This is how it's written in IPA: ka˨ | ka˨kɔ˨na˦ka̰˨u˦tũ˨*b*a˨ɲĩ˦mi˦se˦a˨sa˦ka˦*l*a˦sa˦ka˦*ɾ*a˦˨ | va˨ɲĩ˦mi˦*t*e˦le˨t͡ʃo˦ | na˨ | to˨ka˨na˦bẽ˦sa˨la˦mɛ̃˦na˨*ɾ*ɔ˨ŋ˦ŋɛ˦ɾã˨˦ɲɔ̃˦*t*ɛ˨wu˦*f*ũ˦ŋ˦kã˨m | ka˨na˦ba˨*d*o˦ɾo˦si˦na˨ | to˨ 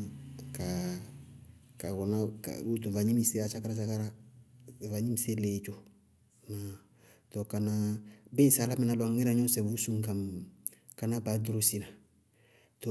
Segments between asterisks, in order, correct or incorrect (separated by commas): incorrect, incorrect, correct, incorrect, incorrect, incorrect, incorrect, correct